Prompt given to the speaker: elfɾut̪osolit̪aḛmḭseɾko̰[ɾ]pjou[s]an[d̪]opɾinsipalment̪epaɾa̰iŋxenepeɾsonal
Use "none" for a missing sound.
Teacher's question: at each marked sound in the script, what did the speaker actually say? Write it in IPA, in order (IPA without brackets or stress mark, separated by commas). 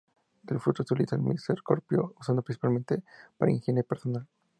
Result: ɾ, s, d̪